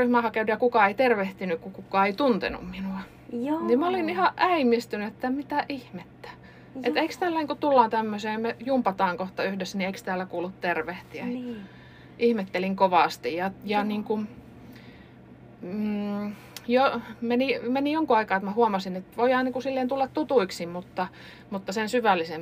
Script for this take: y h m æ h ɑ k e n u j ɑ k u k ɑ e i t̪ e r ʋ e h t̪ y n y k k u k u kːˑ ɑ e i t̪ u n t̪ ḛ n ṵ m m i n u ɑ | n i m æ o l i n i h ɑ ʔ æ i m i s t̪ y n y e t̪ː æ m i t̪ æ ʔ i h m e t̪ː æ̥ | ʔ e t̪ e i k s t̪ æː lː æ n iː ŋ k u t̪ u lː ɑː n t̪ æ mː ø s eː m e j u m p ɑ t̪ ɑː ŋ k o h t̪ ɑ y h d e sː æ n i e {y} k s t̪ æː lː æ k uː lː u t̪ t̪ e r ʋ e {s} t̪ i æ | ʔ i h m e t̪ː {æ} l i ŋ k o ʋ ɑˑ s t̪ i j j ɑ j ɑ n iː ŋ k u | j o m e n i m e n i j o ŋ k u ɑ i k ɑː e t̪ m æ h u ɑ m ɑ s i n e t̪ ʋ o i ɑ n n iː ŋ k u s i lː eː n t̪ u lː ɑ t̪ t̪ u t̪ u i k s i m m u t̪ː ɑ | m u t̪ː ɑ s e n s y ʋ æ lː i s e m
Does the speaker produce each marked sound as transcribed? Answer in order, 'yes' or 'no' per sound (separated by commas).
no, no, no